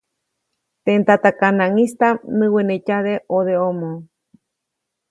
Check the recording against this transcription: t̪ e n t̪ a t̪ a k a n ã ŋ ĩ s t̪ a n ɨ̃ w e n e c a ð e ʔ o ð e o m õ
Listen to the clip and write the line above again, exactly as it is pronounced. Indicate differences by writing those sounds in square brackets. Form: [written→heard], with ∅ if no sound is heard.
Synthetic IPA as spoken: t̪ e n t̪ a t̪ a k a n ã ŋ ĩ s t̪ a n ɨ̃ w e n e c a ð e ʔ o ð e o m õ